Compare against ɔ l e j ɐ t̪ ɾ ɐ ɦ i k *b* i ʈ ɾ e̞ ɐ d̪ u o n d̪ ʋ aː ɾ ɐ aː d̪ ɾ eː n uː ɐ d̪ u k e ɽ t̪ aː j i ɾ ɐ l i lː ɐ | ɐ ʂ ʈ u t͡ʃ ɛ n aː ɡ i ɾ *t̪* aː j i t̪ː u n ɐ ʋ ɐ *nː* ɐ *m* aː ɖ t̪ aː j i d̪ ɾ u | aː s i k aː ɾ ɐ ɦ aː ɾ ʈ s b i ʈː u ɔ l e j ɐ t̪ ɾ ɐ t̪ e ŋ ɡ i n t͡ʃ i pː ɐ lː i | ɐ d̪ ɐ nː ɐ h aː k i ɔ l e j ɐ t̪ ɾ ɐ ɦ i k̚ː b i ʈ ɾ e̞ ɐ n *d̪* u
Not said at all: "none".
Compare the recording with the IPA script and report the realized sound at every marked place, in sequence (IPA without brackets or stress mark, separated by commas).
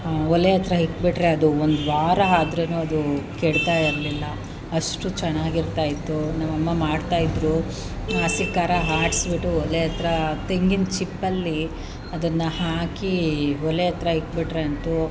b, t̪, mː, m, t̪